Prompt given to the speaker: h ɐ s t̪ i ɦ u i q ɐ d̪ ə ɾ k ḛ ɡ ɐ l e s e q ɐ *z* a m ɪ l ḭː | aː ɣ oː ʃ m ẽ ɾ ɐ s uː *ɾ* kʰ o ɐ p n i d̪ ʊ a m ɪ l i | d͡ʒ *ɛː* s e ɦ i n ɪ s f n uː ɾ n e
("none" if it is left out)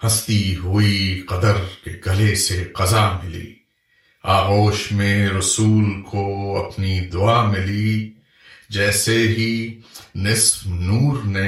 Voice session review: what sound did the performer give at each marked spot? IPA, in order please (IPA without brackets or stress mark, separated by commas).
z, l, ɛː